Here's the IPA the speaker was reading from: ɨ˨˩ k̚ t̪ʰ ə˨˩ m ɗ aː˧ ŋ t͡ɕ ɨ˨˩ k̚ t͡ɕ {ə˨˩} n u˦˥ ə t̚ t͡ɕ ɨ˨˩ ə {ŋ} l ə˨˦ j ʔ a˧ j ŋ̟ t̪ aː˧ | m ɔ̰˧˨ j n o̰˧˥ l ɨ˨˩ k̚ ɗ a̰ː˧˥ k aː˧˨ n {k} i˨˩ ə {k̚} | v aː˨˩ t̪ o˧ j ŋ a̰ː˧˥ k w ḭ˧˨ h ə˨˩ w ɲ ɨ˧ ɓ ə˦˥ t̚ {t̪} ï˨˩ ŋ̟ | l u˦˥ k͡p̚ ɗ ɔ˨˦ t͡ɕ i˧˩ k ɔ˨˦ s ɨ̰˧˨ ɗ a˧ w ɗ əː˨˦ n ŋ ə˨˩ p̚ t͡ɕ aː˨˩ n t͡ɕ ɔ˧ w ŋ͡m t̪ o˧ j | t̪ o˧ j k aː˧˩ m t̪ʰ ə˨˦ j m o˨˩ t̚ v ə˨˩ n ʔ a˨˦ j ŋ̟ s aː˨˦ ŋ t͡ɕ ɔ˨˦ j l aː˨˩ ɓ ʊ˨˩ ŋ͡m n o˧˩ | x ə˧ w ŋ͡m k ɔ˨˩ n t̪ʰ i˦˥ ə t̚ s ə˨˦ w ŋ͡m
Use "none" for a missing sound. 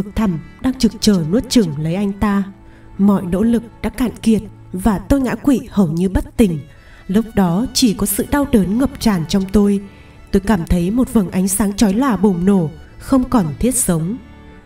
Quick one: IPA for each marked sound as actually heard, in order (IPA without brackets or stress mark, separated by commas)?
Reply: əː˨˩, ŋ, k, t̚, t̪